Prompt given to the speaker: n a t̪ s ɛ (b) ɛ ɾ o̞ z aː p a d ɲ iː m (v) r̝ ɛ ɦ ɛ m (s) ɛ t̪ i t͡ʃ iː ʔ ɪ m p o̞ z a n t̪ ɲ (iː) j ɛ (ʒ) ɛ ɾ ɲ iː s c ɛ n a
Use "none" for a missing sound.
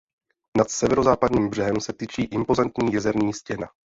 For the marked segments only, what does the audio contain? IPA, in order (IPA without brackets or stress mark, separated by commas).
v, b, s, iː, z